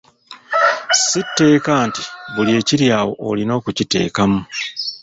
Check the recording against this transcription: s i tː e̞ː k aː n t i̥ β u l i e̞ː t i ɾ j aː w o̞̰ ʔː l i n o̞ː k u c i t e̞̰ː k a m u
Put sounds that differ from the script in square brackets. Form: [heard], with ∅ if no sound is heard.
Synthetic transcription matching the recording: s i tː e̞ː k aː n t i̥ β u l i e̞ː [c] i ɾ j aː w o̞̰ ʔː l i n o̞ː k u c i t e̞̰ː k a m u